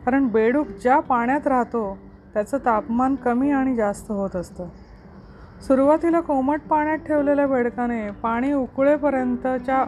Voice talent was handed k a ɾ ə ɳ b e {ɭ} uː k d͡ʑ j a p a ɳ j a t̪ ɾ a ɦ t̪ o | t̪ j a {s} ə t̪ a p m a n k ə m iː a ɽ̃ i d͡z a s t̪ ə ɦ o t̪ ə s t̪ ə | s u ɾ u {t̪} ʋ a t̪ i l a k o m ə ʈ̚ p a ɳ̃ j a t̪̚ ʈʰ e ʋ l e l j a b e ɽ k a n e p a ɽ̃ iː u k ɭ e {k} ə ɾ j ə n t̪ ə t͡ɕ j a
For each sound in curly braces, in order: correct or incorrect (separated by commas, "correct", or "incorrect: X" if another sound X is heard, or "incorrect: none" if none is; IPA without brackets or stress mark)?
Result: incorrect: ɽ, incorrect: t͡s, incorrect: none, incorrect: p